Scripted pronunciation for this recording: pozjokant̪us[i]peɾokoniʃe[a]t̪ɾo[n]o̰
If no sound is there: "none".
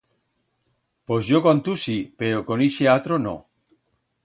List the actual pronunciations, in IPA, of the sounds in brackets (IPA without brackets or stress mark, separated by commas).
i, a, n